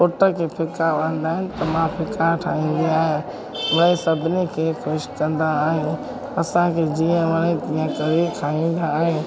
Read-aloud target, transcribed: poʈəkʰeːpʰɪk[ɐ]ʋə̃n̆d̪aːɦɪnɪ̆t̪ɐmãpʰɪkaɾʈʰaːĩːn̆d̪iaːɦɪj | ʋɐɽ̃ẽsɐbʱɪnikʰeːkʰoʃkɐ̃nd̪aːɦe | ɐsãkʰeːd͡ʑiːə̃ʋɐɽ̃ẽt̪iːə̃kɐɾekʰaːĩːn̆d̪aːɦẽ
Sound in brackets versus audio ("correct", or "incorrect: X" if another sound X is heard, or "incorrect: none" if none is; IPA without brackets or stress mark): incorrect: a